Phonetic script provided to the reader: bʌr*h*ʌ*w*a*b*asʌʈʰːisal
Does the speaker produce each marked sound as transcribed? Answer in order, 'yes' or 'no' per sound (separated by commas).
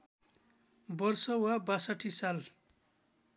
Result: no, yes, yes